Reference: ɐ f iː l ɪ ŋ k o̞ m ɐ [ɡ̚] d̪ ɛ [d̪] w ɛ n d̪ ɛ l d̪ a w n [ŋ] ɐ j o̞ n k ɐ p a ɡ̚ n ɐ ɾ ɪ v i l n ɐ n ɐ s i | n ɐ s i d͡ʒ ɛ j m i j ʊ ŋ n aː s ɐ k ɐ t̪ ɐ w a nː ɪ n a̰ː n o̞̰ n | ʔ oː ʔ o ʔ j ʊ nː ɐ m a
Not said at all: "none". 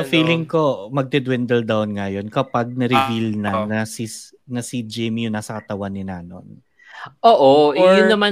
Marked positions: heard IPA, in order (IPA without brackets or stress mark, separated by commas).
ɡ̚, d̪, ŋ